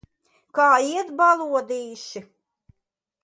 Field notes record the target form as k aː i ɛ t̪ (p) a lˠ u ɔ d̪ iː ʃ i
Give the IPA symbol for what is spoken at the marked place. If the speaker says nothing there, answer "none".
b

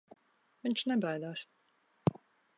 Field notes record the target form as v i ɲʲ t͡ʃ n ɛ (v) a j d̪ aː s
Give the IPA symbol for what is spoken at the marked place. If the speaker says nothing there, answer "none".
b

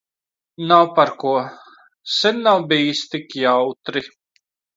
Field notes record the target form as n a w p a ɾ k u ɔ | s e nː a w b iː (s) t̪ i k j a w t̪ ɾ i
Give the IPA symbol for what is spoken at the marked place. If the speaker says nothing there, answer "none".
s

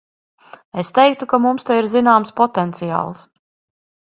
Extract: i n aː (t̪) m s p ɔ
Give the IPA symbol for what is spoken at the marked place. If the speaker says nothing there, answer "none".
none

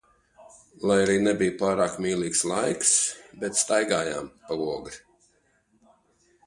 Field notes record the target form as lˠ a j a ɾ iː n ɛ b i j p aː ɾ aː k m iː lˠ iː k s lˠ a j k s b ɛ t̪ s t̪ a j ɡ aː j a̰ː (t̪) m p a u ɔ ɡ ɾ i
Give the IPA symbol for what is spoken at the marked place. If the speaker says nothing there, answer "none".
none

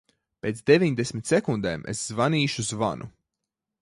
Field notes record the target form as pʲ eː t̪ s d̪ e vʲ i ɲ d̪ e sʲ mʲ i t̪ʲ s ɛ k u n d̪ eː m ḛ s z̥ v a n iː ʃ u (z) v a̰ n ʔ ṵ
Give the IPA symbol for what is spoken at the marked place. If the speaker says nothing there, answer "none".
z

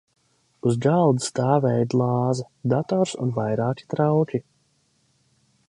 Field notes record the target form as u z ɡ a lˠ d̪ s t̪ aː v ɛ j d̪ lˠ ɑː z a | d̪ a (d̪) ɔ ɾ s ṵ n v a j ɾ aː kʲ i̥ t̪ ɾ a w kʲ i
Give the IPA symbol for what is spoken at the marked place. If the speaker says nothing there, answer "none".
t̪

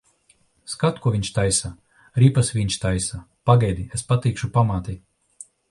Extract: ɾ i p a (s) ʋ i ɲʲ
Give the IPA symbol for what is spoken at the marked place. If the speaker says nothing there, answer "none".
s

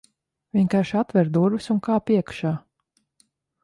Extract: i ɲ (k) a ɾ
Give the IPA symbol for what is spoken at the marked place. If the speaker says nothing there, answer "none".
k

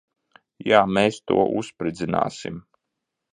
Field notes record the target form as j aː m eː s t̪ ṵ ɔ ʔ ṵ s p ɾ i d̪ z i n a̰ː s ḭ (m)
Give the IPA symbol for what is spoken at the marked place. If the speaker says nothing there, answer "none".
m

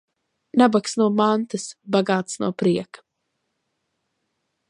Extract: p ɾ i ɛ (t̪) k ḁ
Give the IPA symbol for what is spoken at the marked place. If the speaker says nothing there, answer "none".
none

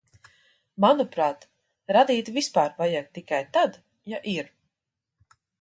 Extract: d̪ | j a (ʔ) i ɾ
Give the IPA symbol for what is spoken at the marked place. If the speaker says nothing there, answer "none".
ʔ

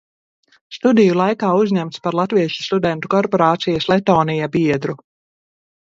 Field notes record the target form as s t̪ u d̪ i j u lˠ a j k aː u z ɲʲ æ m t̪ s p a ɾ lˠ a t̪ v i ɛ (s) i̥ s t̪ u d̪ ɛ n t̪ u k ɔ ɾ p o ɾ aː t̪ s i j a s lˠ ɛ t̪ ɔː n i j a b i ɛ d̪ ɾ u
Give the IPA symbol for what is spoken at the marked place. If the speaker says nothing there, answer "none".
ʃ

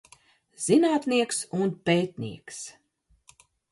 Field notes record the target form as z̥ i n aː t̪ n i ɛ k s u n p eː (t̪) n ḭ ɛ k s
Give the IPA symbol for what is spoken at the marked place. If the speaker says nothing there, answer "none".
t̪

